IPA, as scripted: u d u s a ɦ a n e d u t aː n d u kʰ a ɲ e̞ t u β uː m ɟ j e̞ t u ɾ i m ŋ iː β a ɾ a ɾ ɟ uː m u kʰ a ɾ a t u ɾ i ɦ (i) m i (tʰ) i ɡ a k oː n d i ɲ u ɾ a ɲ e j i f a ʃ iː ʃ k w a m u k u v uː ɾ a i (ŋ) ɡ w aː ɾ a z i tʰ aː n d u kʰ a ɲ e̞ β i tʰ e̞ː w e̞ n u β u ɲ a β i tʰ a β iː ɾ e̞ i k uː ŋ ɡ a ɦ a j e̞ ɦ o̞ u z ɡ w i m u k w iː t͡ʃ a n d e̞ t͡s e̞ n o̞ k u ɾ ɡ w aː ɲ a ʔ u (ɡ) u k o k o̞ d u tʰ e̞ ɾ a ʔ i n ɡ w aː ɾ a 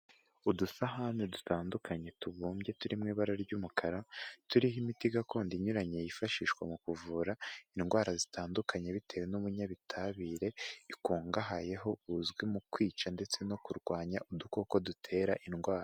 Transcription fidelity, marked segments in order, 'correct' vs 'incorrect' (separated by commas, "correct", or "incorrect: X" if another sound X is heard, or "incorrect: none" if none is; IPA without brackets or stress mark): correct, incorrect: t, incorrect: n, incorrect: d